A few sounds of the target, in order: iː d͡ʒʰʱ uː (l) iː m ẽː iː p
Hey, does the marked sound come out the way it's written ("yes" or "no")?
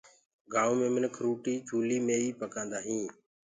yes